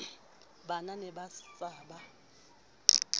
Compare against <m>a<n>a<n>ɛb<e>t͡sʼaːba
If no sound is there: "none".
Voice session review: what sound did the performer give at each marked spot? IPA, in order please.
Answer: b, n, n, a

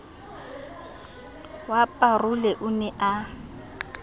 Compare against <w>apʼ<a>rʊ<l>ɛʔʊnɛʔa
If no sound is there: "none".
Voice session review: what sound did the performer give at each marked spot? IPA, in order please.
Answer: w, a, l

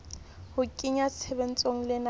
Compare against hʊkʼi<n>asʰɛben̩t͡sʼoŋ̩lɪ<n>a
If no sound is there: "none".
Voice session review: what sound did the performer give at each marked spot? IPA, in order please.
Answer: ɲ, n

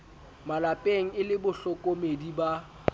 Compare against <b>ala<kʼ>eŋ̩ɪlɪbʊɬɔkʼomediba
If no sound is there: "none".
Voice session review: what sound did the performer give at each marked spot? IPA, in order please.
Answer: m, pʼ

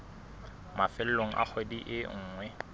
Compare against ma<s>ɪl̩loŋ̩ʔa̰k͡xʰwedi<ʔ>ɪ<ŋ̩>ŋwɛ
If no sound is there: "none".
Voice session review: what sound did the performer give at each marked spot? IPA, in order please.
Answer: f, ʔ, ŋ̩ː

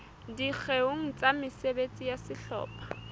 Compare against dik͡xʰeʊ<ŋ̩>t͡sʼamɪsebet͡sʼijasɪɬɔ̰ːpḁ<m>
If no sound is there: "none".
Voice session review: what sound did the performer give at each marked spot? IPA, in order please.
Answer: ŋ̩, none

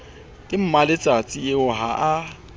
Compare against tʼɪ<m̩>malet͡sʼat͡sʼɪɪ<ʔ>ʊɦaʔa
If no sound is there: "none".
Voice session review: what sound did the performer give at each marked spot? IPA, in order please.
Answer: m̩, none

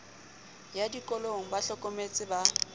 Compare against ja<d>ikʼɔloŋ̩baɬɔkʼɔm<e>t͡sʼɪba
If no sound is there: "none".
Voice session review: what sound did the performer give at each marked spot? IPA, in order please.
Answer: d, e

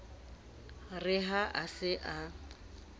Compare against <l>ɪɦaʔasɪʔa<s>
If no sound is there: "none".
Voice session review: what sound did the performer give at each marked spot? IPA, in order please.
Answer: r, none

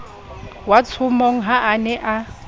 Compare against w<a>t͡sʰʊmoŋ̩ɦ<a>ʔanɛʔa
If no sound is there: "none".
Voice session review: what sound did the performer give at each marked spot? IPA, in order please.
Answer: a, a

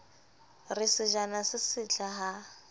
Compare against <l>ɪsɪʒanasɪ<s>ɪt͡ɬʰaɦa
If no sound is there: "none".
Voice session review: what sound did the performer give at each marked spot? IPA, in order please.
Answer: r, s

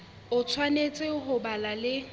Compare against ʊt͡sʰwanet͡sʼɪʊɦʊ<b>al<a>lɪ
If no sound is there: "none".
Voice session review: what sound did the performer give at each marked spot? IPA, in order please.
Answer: b, a

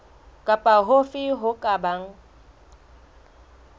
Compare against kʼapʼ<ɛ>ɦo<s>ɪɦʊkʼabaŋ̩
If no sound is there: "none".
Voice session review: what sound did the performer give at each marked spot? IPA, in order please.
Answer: a, f

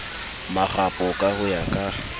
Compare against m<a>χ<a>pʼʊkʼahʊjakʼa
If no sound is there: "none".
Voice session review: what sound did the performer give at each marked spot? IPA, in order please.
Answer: a, a

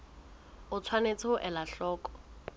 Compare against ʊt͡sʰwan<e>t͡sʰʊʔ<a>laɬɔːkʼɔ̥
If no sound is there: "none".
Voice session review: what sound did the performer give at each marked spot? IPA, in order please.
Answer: e, ɛ

